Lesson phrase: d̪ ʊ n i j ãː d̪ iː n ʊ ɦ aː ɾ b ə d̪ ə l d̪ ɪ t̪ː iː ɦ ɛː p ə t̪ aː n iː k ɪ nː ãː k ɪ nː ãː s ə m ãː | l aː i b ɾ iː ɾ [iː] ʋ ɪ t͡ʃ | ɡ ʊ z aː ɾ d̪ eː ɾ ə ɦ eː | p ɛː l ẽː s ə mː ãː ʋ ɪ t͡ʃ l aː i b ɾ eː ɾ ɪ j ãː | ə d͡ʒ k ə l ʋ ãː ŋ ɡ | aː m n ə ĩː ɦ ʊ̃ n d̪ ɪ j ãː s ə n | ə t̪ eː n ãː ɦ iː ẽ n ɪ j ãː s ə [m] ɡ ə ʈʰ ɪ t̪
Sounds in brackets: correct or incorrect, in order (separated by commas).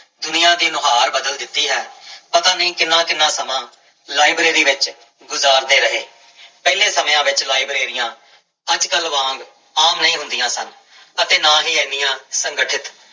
correct, incorrect